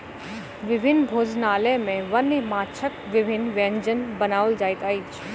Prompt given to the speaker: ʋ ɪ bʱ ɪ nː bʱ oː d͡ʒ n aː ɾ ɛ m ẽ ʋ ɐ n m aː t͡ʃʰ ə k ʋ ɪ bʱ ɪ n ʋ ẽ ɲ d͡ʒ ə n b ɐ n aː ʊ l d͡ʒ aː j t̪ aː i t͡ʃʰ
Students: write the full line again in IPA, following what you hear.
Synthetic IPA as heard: ʋ ɪ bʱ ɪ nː bʱ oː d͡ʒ n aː l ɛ m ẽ ʋ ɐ n m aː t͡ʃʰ ə k ʋ ɪ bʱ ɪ n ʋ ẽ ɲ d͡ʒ ə n b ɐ n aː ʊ l d͡ʒ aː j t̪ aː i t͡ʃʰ